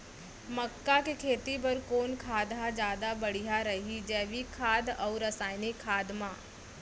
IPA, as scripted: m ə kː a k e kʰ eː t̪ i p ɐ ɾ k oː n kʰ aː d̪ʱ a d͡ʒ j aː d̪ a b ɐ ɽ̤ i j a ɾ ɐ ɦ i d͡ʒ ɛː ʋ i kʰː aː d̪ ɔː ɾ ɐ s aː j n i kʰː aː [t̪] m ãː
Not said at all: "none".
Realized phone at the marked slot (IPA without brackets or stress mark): d̪